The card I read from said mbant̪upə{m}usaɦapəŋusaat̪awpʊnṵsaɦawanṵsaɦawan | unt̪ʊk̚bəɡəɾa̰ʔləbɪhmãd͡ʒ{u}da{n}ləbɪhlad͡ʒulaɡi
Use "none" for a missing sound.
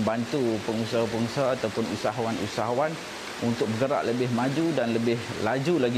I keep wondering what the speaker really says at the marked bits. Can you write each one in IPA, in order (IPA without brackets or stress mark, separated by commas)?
ŋ, u, n